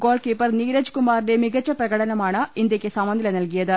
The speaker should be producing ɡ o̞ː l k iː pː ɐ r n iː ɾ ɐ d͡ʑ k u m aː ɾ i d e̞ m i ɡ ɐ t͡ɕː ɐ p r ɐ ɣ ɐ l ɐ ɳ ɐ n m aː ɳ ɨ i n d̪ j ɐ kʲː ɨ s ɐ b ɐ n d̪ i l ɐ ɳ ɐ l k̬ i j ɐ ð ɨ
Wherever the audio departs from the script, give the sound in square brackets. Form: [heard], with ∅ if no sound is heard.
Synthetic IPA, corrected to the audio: ɡ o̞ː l k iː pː ɐ r n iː ɾ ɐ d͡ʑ k u m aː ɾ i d e̞ m i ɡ ɐ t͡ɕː ɐ p r ɐ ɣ ɐ [ɽ] ɐ [n] ɐ [∅] m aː ɳ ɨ i n d̪ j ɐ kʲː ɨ s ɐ [m] ɐ n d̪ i l ɐ [n] ɐ l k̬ i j ɐ ð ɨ